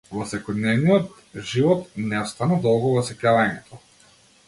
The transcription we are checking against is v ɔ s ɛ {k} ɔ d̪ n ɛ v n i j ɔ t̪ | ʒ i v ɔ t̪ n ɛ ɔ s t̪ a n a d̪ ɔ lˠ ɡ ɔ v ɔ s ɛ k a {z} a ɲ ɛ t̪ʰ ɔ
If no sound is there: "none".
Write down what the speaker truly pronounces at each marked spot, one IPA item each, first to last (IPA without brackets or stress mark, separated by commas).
k, v